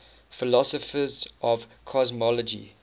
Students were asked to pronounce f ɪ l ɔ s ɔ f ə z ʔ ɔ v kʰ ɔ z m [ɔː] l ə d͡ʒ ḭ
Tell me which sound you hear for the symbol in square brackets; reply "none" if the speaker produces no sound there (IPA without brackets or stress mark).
ɔ